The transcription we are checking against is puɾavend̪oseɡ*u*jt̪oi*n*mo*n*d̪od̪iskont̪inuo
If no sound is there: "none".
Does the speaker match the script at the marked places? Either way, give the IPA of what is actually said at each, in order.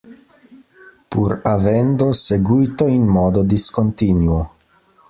u, n, none

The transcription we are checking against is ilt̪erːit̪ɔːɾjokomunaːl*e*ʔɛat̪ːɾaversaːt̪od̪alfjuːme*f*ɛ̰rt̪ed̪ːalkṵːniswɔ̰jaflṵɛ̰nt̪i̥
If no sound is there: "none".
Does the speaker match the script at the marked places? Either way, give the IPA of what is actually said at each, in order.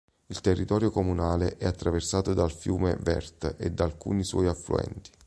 e, v

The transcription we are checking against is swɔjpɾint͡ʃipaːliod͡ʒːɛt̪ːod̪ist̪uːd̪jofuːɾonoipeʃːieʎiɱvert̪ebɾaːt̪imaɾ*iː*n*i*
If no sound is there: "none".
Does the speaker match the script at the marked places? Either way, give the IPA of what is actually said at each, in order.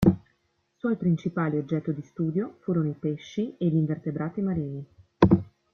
iː, i

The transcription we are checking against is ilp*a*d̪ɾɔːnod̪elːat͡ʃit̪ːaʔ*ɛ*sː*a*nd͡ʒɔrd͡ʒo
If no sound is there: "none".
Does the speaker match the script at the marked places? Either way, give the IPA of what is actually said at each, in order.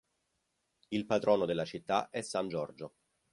a, ɛ, a

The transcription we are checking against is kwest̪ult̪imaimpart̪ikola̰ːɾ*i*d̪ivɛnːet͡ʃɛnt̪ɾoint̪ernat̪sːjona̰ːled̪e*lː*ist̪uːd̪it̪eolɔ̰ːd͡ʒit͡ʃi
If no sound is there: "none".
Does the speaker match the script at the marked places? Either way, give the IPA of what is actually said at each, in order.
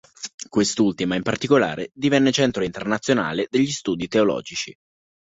e, ʎː

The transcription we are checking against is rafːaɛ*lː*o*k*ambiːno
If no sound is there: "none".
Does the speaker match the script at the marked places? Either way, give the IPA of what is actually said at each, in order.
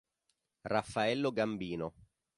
lː, ɡ

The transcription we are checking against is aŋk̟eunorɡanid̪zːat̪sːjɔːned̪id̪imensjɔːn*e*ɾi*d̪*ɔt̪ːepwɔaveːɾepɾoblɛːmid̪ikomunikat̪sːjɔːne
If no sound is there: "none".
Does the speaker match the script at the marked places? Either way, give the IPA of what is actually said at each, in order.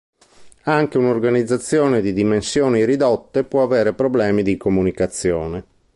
i, d̪

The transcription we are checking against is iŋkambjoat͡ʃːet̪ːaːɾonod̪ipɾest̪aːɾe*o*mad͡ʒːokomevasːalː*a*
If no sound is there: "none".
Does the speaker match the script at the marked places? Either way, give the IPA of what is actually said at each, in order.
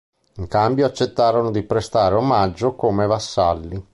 o, i

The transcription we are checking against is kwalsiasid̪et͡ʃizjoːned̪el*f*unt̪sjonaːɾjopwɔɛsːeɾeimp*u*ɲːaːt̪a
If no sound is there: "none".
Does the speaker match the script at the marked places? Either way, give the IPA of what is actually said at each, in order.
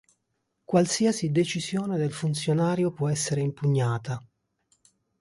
f, u

